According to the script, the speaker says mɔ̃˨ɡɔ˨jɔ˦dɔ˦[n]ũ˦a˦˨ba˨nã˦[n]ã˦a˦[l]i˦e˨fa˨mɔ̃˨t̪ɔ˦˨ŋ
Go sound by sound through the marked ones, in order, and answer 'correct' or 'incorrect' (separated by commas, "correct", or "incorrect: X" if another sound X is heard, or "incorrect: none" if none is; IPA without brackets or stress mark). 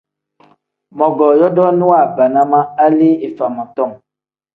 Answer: correct, incorrect: m, correct